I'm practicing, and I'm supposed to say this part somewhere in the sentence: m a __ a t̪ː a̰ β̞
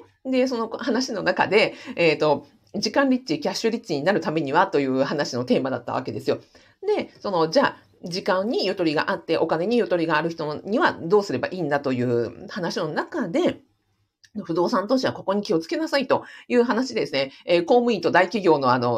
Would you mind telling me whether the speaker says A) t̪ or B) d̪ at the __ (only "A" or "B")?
B